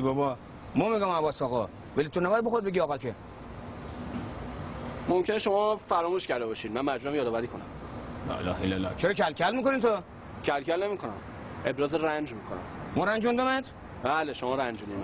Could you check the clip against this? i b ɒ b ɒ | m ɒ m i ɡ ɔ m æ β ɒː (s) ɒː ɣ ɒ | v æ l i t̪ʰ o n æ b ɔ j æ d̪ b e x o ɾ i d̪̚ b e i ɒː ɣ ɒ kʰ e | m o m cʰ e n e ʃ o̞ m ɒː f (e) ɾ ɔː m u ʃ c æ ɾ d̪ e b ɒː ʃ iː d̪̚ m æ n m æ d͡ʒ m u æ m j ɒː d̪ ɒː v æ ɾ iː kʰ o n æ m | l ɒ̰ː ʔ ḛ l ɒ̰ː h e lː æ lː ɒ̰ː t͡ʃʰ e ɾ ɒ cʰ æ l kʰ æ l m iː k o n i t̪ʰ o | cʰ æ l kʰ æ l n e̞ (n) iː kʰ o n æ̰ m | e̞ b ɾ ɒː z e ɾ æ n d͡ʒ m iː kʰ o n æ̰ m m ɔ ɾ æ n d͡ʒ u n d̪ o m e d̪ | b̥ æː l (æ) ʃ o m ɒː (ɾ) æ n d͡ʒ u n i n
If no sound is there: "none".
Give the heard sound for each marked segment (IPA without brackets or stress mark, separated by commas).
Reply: s, æ, m, e, ɾ